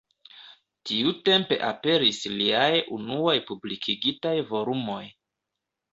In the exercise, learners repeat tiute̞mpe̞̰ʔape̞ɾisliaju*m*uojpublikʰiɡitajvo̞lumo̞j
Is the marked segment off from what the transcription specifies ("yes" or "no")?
yes